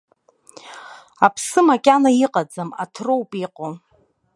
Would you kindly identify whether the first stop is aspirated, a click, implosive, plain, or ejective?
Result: aspirated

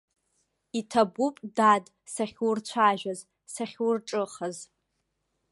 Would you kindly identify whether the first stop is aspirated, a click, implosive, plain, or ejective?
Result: aspirated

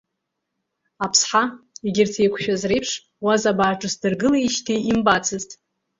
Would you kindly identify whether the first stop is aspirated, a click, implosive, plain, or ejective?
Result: aspirated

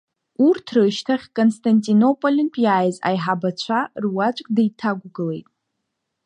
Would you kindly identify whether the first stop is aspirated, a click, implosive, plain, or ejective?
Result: aspirated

